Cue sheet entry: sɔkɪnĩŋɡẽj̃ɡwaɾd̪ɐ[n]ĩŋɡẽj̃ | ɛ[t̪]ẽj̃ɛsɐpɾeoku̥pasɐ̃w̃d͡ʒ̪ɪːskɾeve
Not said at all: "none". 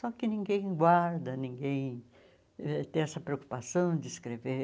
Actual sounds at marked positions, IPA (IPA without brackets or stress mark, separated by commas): n, t̪